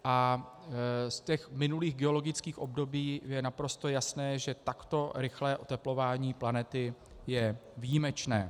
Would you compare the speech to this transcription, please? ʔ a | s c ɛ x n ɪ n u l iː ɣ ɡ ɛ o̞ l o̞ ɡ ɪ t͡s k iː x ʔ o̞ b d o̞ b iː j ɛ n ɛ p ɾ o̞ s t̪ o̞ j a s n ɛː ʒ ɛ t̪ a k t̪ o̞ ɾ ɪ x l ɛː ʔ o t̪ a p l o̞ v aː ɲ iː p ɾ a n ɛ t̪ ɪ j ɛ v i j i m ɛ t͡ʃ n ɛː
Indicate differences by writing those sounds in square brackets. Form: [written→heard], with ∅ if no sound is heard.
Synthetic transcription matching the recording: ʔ a | s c ɛ x [n→m] ɪ n u l iː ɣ ɡ ɛ o̞ l o̞ ɡ ɪ t͡s k iː x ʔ o̞ b d o̞ b iː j ɛ n [ɛ→a] p ɾ o̞ s t̪ o̞ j a s n ɛː ʒ ɛ t̪ a k t̪ o̞ ɾ ɪ x l ɛː ʔ o t̪ [a→ɛ] p l o̞ v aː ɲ iː p [ɾ→l] a n ɛ t̪ ɪ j ɛ v i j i m ɛ t͡ʃ n ɛː